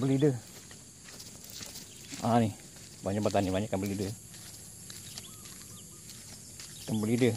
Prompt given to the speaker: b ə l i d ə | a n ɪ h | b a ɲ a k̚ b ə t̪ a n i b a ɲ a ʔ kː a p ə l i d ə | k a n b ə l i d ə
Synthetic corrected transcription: b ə l i d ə | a n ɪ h | b a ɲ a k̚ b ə t̪ a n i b a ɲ a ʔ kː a b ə l i d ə | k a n b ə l i d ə

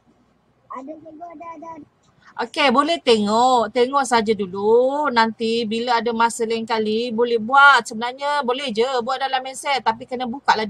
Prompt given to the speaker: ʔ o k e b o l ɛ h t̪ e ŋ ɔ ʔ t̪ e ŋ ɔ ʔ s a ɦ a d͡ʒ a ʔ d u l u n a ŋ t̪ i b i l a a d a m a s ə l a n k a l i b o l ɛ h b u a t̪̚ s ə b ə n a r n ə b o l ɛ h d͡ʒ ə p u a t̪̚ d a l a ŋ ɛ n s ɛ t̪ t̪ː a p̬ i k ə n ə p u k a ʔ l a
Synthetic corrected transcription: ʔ o k e b o l ɛ h t̪ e ŋ ɔ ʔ t̪ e ŋ ɔ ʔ s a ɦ a d͡ʒ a d u l u n a n t̪ i b i l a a d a m a s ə l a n k a l i b o l ɛ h b u a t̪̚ s ə b ə n a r ɲ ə b o l ɛ h d͡ʒ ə b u a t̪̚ d a l a m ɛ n s ɛ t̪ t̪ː a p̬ i k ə n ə b u k a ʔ l a

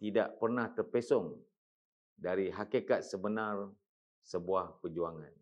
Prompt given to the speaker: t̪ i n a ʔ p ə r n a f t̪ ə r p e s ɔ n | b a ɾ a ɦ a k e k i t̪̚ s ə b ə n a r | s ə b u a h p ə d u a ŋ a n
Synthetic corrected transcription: t̪ i d a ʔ p ə r n a h t̪ ə r p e s ɔ ŋ | d a ɾ i ɦ a k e k a t̪̚ s ə b ə n a r | s ə b u a h p ə d͡ʒ u a ŋ a n

